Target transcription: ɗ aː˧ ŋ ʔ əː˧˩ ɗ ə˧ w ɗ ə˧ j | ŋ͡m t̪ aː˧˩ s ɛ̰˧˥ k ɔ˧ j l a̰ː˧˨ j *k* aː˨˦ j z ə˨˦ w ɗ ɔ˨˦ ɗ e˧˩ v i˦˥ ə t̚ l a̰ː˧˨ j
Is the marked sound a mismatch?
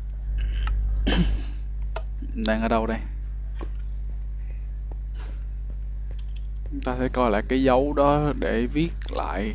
no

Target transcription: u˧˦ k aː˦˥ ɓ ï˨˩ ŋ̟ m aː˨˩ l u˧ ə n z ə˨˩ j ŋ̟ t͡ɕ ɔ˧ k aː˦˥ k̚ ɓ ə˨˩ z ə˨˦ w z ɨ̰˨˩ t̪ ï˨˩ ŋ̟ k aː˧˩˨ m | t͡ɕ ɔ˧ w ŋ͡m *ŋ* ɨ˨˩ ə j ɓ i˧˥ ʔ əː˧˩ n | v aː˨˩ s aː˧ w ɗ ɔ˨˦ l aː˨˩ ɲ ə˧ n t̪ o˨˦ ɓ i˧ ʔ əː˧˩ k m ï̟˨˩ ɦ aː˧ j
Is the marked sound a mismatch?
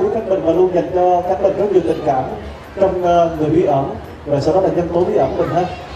no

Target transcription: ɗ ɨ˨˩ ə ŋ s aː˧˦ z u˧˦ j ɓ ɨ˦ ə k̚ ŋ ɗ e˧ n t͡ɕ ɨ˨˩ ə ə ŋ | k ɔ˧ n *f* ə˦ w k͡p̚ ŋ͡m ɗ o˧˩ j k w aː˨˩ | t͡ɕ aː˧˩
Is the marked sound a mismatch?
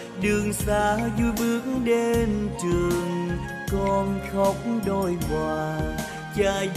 yes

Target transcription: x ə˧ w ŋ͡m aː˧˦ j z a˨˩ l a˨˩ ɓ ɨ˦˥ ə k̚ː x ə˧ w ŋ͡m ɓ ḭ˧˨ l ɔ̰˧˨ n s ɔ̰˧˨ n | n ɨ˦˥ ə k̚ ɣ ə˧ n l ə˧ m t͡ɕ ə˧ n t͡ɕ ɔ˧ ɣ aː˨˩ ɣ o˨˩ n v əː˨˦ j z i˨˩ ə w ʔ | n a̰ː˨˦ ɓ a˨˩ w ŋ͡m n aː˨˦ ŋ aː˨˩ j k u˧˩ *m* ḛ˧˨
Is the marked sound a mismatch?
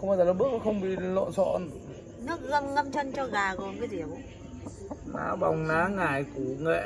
yes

